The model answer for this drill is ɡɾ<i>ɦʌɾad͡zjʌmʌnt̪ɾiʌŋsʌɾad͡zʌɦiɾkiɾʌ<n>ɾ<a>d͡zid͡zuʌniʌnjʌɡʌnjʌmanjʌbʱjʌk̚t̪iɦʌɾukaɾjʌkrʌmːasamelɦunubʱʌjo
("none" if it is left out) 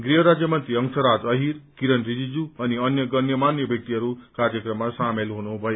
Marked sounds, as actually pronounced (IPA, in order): i, n, i

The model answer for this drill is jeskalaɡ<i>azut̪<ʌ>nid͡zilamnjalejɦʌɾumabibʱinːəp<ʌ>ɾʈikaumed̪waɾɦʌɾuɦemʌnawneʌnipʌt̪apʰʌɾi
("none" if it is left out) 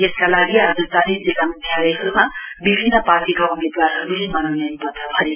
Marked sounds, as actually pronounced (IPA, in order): i, a, a

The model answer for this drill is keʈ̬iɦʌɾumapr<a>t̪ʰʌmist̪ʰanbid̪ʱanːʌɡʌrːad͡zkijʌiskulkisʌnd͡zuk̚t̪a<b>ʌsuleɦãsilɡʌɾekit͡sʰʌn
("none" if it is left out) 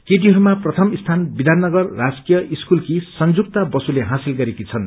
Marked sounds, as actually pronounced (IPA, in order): ʌ, b

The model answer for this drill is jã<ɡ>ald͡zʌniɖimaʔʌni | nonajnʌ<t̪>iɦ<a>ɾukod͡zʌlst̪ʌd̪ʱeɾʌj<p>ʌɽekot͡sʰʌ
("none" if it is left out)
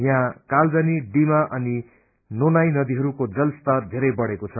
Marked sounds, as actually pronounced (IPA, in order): k, d̪, ʌ, b

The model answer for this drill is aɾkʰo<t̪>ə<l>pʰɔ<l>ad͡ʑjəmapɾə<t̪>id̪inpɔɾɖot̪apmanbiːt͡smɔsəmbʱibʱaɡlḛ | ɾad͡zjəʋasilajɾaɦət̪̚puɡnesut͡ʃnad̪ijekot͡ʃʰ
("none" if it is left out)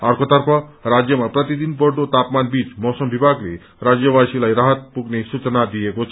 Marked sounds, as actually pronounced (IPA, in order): t̪, ɾ, ɾ, t̪

